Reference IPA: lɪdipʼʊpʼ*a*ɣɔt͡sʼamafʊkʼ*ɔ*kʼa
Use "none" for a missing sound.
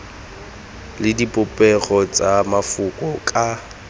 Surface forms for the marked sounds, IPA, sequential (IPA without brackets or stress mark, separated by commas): ɛ, ɔ